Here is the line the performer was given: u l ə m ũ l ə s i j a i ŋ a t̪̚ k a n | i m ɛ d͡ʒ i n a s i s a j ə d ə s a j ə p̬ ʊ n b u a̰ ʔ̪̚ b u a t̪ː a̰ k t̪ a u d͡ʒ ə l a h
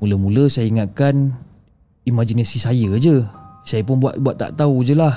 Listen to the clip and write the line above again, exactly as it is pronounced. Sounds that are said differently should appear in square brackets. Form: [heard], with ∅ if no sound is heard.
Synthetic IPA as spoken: u l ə m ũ l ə s [a] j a i ŋ a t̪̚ k a n | i m [a] d͡ʒ i n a s i s a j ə [d͡ʒ] ə s a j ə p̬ ʊ n b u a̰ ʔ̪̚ b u a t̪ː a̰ [ʔ] t̪ a u d͡ʒ ə l a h